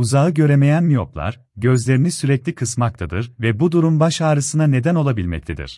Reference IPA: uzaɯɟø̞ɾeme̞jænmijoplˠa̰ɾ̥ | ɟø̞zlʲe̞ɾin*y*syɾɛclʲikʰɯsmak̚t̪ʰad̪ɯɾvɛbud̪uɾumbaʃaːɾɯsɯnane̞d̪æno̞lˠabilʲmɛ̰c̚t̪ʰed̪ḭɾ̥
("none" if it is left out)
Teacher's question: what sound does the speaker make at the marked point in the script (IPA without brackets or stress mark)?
i